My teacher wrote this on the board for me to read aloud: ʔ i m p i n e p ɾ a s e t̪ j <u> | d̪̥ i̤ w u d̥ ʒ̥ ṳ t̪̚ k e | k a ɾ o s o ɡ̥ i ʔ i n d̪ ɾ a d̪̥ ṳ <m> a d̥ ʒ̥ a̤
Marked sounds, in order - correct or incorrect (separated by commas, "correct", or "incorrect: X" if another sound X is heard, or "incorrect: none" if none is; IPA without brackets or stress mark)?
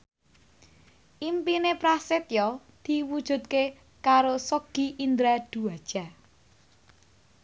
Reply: incorrect: ɔ, incorrect: none